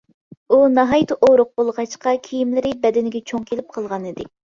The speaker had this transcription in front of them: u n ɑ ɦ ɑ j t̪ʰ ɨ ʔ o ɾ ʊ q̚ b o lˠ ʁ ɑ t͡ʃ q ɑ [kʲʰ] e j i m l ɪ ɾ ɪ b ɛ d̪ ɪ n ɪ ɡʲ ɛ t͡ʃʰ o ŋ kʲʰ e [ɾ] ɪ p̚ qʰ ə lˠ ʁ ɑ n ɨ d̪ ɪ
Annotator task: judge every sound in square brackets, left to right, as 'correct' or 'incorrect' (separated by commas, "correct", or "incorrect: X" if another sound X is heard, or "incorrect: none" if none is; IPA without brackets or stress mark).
correct, incorrect: l